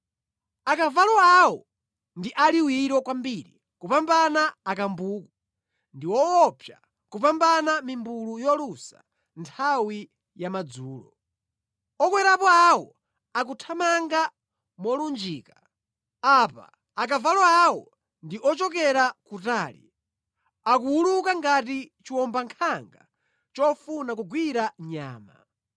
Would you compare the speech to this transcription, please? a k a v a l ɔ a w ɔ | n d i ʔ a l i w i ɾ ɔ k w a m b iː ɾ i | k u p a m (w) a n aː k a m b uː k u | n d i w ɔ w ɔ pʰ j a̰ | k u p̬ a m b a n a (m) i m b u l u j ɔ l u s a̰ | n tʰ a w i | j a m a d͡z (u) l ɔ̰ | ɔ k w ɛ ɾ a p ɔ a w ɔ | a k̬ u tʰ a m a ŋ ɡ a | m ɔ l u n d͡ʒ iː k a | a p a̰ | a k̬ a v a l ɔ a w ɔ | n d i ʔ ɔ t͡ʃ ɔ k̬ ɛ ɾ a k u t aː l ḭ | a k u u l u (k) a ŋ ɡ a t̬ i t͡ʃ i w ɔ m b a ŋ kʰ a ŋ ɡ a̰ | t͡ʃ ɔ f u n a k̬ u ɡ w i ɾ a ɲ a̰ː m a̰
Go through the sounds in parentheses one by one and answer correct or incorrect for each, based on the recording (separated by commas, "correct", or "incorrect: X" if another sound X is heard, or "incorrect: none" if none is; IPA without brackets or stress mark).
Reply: incorrect: b, correct, incorrect: uː, correct